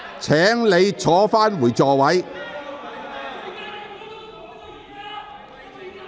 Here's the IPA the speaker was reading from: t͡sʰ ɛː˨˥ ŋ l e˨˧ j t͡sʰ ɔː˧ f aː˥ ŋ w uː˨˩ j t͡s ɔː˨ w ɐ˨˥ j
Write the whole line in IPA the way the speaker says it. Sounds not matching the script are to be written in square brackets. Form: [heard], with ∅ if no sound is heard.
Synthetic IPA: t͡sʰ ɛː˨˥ ŋ l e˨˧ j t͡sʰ [ɔː˨˥] f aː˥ [n] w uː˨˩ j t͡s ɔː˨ w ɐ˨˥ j